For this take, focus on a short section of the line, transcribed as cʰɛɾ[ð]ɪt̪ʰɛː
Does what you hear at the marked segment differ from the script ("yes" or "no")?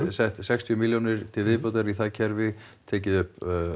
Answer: yes